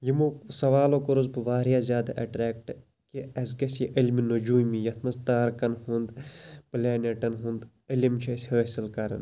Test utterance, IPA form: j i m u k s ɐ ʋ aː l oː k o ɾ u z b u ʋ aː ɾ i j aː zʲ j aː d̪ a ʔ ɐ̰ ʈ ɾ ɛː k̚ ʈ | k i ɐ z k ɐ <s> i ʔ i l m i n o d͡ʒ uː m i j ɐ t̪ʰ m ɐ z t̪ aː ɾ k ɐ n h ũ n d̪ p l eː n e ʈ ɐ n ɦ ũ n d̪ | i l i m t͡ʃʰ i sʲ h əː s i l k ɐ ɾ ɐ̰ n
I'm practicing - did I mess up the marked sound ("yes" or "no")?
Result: no